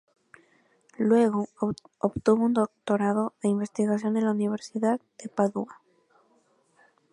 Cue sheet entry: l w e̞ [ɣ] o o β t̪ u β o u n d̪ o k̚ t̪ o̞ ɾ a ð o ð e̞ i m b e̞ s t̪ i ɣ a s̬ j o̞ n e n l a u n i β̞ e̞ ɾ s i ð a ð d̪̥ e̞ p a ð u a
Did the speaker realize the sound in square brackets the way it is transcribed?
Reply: yes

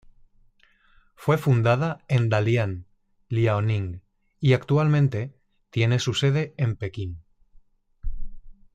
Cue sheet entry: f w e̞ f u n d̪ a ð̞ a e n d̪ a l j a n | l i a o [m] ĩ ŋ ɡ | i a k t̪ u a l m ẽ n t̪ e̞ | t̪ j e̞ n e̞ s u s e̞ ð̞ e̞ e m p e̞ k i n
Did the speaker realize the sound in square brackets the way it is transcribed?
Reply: no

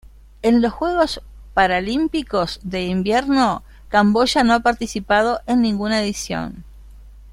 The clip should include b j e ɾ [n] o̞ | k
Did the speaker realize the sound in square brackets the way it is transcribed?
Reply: yes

